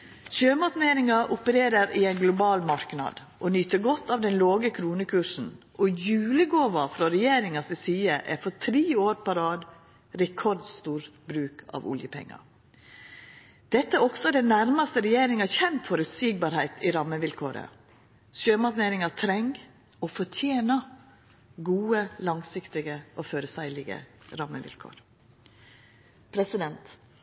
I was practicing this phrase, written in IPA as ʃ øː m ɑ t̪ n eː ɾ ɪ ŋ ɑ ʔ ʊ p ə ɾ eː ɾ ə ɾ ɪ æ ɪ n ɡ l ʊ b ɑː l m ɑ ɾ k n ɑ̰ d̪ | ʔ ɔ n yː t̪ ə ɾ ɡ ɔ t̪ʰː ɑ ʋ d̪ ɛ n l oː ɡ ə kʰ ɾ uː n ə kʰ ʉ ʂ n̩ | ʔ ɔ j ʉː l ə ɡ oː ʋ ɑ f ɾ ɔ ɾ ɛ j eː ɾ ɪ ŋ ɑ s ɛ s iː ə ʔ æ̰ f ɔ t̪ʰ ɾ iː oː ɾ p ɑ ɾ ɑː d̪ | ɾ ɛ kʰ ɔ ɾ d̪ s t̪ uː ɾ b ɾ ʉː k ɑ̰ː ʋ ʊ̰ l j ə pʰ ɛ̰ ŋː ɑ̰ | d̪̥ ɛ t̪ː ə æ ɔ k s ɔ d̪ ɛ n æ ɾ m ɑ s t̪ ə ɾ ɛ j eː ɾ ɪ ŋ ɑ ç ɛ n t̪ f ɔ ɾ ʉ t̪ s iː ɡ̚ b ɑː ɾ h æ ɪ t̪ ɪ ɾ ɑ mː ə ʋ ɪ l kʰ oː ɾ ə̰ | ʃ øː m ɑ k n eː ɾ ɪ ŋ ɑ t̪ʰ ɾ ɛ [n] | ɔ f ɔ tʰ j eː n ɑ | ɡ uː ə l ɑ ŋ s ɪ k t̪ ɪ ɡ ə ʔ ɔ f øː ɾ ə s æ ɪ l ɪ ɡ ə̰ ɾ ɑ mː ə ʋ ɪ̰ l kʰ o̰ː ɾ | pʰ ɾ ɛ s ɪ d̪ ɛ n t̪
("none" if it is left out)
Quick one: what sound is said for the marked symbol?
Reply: ŋ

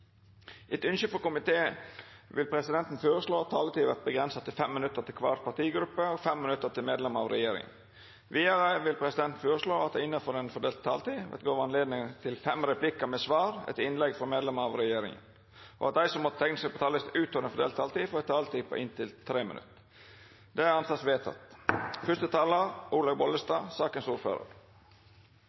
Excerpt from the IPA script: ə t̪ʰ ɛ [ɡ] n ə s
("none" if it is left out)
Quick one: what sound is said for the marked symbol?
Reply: ŋ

